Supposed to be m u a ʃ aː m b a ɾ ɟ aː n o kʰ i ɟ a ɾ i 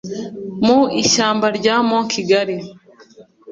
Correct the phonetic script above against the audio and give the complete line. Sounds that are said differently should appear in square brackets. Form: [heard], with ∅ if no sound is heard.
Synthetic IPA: m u [i] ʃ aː m b a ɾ ɟ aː [m] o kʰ i [ɡ] a ɾ i